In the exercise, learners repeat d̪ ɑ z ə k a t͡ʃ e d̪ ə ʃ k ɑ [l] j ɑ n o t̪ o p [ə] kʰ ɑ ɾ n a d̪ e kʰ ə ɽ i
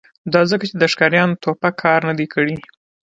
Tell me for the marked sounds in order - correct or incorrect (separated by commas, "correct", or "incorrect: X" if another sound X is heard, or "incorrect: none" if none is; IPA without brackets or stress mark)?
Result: incorrect: ɾ, incorrect: a